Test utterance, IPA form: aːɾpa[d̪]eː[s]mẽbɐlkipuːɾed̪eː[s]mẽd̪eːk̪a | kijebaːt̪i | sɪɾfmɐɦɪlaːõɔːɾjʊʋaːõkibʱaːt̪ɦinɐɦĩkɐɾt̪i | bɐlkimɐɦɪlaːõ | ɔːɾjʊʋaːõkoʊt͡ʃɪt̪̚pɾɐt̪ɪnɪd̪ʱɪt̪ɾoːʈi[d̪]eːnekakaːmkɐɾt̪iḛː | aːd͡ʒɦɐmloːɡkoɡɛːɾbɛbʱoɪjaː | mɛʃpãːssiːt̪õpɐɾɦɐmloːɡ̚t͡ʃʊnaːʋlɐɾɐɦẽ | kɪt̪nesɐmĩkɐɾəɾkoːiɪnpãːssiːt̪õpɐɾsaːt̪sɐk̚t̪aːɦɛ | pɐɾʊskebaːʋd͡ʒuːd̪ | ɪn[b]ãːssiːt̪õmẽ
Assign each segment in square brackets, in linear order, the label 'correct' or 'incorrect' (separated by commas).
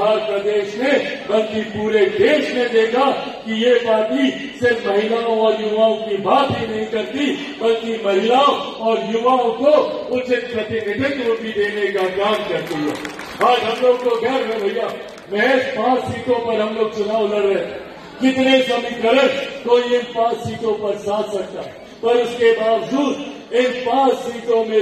correct, incorrect, incorrect, correct, incorrect